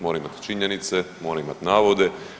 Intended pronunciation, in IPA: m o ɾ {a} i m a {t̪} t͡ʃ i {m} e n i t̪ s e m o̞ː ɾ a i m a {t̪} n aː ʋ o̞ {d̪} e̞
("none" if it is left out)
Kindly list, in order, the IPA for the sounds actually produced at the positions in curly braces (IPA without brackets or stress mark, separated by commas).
a, t̪, ɲ, t̪, d̪